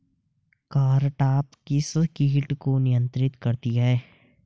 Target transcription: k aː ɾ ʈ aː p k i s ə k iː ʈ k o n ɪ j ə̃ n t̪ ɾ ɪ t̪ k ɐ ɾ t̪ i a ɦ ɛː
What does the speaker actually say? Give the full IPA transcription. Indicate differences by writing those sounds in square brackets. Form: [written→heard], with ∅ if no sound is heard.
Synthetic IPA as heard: k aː ɾ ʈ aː p k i s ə k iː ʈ k o n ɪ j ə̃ n t̪ ɾ ɪ t̪ k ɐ ɾ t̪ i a ɦ ɛː